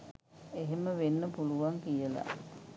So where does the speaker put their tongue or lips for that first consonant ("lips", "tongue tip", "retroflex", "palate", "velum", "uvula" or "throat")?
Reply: throat